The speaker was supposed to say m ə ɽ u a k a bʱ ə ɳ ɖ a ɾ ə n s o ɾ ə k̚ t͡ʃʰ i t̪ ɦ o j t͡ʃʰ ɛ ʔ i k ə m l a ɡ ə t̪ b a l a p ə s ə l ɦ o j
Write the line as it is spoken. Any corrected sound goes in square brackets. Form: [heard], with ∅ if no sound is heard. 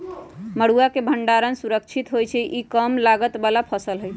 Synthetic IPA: m ə ɽ u a k [e] bʱ ə ɳ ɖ a ɾ ə n s [u] ɾ ə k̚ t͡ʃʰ i t̪ ɦ o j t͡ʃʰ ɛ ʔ i k ə m l a ɡ ə t̪ b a l a [pʰ] ə s ə l ɦ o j

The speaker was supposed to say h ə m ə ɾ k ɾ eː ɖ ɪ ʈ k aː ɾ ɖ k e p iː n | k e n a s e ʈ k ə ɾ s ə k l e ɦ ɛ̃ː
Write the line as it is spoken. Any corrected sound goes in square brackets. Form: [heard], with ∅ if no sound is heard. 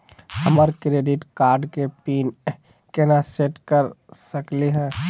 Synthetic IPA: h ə m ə ɾ k ɾ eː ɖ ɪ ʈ k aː ɾ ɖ k e p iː n | k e n a s e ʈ k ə ɾ s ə k l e ɦ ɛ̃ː

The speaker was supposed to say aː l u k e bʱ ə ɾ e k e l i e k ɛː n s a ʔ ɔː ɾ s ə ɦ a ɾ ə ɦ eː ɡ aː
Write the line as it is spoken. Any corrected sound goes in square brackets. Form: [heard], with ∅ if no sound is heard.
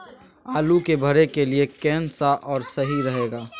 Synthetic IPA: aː l u k e bʱ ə ɾ e k e l i e k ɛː n s a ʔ ɔː ɾ s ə ɦ [i] ɾ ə ɦ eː ɡ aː

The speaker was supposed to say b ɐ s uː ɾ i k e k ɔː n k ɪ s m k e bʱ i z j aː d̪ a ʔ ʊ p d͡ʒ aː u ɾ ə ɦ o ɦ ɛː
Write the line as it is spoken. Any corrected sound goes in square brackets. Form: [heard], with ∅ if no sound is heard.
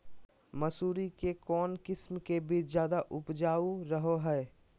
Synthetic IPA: [m] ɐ s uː ɾ i k e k ɔː n k ɪ s m k e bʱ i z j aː d̪ a ʔ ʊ p d͡ʒ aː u ɾ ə ɦ o ɦ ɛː

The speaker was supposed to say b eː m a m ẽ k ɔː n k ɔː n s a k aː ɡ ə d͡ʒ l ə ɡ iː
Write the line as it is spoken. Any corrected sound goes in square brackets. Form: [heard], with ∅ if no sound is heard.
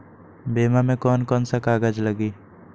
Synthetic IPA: b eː m a m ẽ k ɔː n k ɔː n s a k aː ɡ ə d͡ʒ l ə ɡ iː

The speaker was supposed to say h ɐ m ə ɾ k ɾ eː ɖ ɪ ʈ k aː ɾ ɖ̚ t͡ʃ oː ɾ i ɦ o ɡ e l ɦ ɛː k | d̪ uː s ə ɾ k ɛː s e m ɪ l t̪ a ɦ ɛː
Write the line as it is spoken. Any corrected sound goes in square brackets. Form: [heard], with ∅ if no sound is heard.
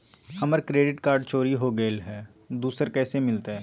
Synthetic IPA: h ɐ m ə ɾ k ɾ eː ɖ ɪ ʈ k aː ɾ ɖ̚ t͡ʃ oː ɾ i ɦ o ɡ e l ɦ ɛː [∅] | d̪ uː s ə ɾ k ɛː s e m ɪ l t̪ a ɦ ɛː

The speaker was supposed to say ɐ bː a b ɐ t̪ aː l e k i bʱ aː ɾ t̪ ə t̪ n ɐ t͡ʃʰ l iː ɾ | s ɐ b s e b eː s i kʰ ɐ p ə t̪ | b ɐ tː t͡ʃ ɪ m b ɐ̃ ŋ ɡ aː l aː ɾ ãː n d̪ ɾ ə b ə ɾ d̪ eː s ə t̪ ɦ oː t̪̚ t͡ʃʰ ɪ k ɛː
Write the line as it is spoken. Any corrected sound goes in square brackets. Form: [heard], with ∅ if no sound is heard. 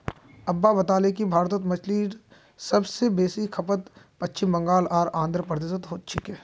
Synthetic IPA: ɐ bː a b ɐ t̪ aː l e k i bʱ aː ɾ t̪ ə t̪ [m] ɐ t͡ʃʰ l iː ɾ | s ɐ b s e b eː s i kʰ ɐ p ə t̪ | [p] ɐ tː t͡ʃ ɪ m b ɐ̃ ŋ ɡ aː l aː ɾ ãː n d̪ ɾ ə [p] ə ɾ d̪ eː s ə t̪ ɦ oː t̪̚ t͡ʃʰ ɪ k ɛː

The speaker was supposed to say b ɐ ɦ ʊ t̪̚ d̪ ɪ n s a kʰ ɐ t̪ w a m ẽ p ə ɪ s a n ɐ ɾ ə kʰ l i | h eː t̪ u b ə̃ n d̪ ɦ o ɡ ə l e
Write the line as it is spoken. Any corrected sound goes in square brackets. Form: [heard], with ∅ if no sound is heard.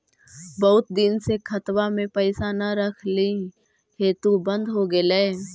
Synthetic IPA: b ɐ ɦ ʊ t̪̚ d̪ ɪ n s [e] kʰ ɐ t̪ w a m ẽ p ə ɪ s a n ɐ ɾ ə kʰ l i | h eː t̪ u b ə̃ n d̪ ɦ o ɡ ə l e

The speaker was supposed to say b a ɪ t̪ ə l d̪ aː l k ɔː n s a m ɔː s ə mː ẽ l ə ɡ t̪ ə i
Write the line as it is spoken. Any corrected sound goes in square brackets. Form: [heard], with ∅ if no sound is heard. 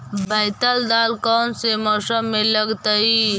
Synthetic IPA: b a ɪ t̪ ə l d̪ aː l k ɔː n s [e] m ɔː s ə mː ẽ l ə ɡ t̪ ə i

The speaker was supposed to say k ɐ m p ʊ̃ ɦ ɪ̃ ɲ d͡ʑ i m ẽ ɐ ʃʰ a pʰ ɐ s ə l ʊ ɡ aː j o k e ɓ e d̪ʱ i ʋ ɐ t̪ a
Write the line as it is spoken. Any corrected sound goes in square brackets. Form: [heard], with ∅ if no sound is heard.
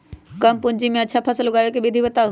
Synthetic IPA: k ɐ m p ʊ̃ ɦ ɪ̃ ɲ d͡ʑ i m ẽ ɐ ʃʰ a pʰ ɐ s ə l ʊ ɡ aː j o k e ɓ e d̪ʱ i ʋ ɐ t̪ a

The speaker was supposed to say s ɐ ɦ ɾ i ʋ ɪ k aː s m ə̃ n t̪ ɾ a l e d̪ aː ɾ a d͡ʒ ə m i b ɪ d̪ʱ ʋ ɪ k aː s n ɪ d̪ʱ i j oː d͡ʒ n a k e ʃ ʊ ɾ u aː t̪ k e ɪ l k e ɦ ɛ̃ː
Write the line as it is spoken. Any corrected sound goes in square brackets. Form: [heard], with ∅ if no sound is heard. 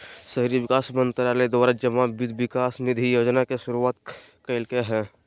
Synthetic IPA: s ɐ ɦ ɾ i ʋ ɪ k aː s m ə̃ n t̪ ɾ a l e d̪ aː ɾ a d͡ʒ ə m [a] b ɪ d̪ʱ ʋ ɪ k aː s n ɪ d̪ʱ i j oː d͡ʒ n a k e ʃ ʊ ɾ u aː t̪ k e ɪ l k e ɦ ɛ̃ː

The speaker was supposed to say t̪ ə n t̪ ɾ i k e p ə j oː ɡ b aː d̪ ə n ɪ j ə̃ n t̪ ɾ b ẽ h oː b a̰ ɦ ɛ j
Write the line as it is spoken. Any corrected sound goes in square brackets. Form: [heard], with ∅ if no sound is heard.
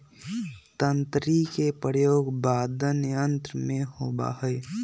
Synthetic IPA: t̪ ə n t̪ ɾ i k e p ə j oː ɡ b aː d̪ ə n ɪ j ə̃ n t̪ ɾ [m] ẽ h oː b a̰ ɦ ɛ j

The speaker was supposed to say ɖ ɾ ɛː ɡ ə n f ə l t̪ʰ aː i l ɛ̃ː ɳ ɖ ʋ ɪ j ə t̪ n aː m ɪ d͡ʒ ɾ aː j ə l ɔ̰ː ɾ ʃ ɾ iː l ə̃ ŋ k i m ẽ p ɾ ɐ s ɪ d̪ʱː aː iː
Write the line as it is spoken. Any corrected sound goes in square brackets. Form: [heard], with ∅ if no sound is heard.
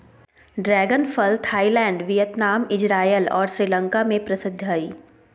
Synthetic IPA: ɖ ɾ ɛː ɡ ə n f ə l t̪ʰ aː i l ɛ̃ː ɳ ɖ ʋ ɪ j ə t̪ n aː m ɪ d͡ʒ ɾ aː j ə l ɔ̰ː ɾ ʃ ɾ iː l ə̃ ŋ k [a] m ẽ p ɾ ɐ s ɪ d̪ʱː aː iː

